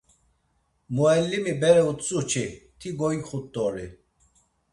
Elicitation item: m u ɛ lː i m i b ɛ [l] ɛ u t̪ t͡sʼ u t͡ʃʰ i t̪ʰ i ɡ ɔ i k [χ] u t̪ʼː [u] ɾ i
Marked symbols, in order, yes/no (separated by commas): no, yes, no